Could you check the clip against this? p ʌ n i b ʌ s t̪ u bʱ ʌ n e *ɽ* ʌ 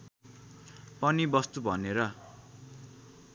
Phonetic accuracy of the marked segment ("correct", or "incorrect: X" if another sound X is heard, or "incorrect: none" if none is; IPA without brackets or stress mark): incorrect: ɾ